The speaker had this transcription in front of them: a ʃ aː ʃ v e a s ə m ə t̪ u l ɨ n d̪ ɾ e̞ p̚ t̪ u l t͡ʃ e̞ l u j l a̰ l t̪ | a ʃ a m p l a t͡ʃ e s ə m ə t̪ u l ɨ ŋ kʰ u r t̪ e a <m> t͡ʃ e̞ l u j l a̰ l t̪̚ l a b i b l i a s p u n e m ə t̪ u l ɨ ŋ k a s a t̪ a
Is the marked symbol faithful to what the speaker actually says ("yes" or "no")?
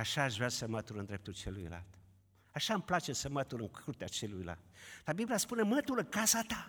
no